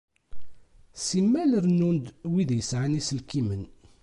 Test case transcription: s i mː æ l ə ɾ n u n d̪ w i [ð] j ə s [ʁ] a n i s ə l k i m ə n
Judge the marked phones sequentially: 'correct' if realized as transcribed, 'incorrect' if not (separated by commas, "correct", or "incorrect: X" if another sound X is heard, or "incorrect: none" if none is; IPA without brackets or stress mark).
correct, incorrect: ʕ